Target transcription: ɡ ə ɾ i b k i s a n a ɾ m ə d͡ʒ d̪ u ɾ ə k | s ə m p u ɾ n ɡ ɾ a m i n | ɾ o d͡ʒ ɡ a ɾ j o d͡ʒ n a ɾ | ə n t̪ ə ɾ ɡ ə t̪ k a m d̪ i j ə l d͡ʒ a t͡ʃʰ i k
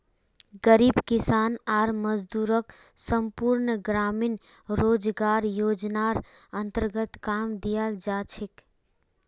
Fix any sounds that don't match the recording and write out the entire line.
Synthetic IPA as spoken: ɡ ə ɾ i b k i s a n a ɾ m ə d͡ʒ d̪ u ɾ ə k | s ə m p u ɾ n ɡ ɾ a m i n | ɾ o d͡ʒ ɡ a ɾ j o d͡ʒ n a ɾ | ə n t̪ ə ɾ ɡ ə t̪ k a m d̪ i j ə l d͡ʒ a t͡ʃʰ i k